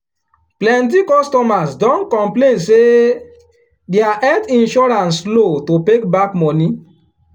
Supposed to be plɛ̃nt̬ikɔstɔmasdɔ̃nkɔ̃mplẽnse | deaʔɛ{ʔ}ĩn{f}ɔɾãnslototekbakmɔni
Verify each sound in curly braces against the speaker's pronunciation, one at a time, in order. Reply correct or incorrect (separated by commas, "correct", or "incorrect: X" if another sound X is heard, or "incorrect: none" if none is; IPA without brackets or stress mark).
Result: incorrect: t, incorrect: ʃ